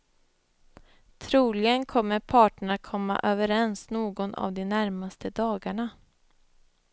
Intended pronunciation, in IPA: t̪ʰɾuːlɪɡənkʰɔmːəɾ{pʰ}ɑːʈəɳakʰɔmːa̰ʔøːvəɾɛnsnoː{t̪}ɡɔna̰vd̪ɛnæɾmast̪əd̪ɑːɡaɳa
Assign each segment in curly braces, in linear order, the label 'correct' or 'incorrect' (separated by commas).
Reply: correct, incorrect